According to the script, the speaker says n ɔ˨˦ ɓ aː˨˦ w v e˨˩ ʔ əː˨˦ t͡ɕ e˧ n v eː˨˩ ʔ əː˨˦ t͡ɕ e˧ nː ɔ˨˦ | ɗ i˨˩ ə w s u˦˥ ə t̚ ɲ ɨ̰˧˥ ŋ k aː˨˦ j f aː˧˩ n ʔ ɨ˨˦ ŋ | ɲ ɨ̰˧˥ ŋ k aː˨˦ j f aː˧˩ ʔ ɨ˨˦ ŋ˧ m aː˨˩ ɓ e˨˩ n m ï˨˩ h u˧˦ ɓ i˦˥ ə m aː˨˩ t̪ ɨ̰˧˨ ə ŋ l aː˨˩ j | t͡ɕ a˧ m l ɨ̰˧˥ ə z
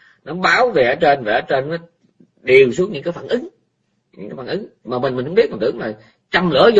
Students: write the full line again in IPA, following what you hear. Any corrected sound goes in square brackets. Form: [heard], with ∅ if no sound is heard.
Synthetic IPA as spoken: n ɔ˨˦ ɓ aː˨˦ w v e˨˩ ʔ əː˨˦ t͡ɕ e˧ n v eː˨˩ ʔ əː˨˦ t͡ɕ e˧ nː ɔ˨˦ | ɗ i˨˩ ə w s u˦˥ ə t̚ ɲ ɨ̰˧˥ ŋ k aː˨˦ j f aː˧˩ n ʔ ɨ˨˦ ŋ | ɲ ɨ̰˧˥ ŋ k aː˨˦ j f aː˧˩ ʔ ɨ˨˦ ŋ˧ m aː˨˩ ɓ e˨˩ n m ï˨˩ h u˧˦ ɓ i˦˥ ə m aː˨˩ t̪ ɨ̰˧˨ ə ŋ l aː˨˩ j | t͡ɕ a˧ m l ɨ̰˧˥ ə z